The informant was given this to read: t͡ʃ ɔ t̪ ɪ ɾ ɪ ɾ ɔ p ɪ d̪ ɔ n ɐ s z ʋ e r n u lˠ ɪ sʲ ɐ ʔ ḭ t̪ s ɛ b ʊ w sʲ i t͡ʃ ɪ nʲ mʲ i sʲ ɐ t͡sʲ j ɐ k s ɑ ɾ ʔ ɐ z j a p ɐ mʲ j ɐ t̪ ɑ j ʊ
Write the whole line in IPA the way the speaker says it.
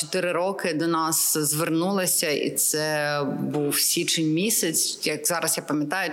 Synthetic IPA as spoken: t͡ʃ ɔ t̪ ɪ ɾ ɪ ɾ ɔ k ɪ d̪ ɔ n ɑ s z ʋ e r n u lˠ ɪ sʲ ɐ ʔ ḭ t̪ s ɛ b u w sʲ i t͡ʃ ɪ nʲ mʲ i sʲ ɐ t͡sʲ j ɐ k z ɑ ɾ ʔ ɐ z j a p ɐ mʲ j ɐ t̪ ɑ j ʊ